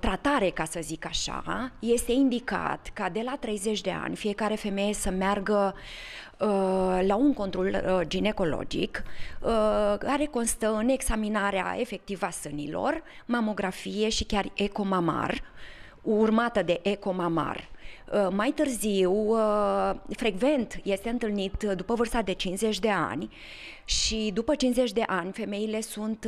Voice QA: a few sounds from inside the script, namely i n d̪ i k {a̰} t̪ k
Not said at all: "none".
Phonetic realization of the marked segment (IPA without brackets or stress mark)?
a̰